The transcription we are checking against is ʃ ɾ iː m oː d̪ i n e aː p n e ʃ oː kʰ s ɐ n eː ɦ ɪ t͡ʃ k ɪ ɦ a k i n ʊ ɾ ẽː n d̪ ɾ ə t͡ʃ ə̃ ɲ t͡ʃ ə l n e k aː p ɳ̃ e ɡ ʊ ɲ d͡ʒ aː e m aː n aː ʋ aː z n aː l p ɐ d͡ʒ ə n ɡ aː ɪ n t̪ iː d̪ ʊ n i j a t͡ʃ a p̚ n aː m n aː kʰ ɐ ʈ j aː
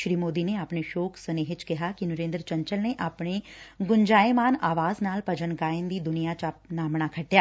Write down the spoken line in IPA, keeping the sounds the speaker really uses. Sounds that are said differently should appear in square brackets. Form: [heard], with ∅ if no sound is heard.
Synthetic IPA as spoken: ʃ ɾ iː m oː d̪ i n e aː p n e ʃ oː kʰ s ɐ n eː ɦ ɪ t͡ʃ k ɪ ɦ a k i n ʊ ɾ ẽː n d̪ ɾ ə t͡ʃ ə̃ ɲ t͡ʃ ə l n e [ʔ] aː p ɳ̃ e ɡ ʊ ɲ d͡ʒ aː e m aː n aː ʋ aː z n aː l p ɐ d͡ʒ ə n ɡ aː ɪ n [d̪] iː d̪ ʊ n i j a t͡ʃ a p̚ n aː m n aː kʰ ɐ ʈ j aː